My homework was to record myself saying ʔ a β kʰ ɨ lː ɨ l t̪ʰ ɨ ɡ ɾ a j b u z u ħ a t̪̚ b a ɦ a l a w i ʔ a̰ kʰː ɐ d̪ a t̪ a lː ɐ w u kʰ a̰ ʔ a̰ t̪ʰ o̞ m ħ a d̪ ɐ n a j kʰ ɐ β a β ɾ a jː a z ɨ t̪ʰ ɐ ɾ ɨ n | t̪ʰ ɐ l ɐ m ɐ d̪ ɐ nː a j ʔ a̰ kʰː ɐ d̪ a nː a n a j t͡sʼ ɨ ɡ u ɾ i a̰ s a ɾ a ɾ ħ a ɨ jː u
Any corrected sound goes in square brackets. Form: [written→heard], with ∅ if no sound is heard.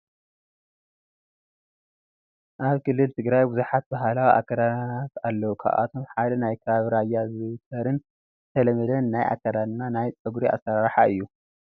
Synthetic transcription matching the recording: ʔ a β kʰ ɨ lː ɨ l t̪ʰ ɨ ɡ ɾ a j b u z u ħ a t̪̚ b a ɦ a l a w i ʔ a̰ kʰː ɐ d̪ a t̪ a lː ɐ w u kʰ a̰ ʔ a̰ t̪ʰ o̞ m ħ a d̪ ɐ n a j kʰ ɐ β a β ɾ a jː a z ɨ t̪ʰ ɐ ɾ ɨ n | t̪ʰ ɐ l ɐ m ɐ d̪ ɐ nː a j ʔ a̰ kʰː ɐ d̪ a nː a n a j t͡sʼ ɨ ɡ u ɾ i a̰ s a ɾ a ɾ ħ a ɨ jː u